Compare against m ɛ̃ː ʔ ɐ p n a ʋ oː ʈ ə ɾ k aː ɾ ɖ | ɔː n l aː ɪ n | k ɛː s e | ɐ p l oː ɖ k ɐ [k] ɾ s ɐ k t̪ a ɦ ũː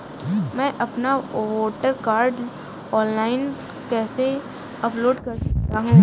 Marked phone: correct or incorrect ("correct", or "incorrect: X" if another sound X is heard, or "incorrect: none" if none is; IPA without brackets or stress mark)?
incorrect: none